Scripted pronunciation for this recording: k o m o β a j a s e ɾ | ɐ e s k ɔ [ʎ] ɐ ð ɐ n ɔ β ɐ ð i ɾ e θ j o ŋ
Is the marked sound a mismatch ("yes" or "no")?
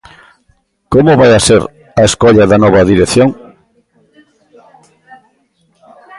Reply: no